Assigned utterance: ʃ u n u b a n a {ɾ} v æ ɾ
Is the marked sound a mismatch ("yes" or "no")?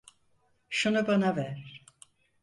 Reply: yes